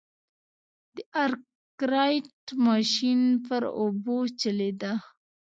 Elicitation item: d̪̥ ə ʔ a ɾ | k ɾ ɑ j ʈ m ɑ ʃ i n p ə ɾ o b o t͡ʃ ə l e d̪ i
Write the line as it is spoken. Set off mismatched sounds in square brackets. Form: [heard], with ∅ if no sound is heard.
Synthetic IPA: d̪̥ ə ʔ a ɾ | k ɾ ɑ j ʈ m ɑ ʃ i n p ə ɾ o b o t͡ʃ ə l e d̪ [a]